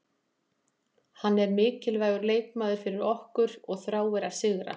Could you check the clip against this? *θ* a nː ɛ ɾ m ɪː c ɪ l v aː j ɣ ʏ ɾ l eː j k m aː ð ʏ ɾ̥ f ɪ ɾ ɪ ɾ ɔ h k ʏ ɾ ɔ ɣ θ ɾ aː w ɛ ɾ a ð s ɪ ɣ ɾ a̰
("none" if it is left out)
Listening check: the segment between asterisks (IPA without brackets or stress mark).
h